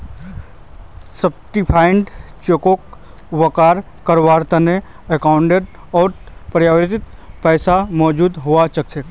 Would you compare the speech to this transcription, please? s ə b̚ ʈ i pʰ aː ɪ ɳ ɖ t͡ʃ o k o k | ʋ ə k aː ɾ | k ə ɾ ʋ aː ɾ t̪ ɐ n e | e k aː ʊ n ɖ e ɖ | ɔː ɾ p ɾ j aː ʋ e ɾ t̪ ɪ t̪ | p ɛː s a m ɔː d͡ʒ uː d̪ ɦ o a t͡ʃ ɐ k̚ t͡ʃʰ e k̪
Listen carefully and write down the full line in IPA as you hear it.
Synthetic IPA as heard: s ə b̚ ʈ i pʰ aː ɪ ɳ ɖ t͡ʃ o k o k | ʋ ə k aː ɾ | k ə ɾ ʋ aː ɾ t̪ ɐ n e | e k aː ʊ ɳ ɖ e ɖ | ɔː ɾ p ɾ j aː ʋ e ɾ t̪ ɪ t̪ | p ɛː s a m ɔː d͡ʒ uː d̪ ɦ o a t͡ʃ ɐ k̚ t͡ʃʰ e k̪